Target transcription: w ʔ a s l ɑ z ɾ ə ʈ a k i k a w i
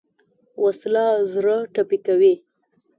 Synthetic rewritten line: w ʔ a s l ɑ z ɾ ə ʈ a p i k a w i

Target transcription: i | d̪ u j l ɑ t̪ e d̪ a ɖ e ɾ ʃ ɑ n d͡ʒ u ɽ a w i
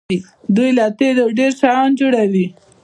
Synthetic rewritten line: i | d̪ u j l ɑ t̪ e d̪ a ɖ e ɾ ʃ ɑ n d͡ʒ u ɽ a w i

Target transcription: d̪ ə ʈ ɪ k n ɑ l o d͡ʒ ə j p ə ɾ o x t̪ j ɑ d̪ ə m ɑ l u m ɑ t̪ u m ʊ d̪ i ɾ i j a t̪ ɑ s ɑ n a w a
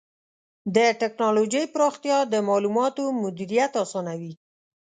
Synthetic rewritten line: d̪ ə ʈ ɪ k n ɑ l o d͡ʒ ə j p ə ɾ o x t̪ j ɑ d̪ ə m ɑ l u m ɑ t̪ o m ʊ d̪ i ɾ i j a t̪ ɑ s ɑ n a w i

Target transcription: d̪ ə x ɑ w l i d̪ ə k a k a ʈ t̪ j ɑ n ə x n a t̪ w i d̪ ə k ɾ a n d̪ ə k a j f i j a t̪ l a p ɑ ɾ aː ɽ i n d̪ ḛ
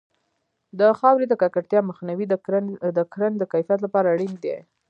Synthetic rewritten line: d̪ ə x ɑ w ɾ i d̪ ə k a k a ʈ t̪ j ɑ m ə x n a w i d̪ ə k ɾ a n d̪ ə k a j f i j a t̪ l a p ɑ ɾ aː ɽ i n d̪ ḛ

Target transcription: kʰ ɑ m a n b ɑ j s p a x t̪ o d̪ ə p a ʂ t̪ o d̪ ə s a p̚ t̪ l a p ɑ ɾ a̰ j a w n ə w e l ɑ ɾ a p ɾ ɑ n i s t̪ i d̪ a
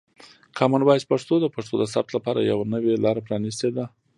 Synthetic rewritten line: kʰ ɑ m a n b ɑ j s p a ʂ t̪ o d̪ ə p a ʂ t̪ o d̪ ə s a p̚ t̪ l a p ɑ ɾ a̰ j a w n ə w e l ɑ ɾ a p ɾ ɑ n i s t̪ e d̪ a

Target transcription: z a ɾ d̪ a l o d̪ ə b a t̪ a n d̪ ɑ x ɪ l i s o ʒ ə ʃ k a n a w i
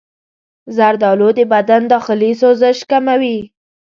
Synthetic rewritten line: z a ɾ d̪ ɑ l o d̪ ə b a d̪ a n d̪ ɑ x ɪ l i s o z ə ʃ k a m a w i

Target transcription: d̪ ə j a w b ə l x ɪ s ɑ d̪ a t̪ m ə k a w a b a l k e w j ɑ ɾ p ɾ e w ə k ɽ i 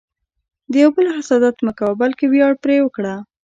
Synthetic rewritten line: d̪ ə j a w b ə l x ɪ s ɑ d̪ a t̪ m ə k a w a b a l k e w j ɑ ɽ p ɾ e w ə k ɽ a

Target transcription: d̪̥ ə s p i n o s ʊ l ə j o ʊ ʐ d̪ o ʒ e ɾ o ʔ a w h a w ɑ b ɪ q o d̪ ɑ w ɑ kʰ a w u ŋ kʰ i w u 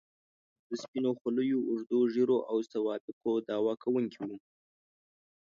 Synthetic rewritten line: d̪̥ ə s p i n o x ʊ l ə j o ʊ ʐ d̪ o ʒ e ɾ o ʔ a w s a w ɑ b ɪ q o d̪ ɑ w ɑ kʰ a w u ŋ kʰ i w u

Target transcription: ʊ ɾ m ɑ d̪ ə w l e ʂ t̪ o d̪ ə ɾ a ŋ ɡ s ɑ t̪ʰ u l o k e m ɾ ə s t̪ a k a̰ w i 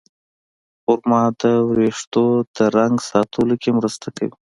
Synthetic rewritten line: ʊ ɾ m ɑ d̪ ə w ɾ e ʂ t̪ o d̪ ə ɾ a ŋ ɡ s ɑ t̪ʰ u l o k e m ɾ ə s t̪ a k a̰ w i

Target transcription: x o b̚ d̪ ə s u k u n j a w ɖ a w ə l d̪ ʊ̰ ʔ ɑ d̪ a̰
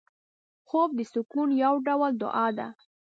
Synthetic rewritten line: x o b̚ d̪ ə s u k u n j a w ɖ a w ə l d̪ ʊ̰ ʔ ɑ d̪ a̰

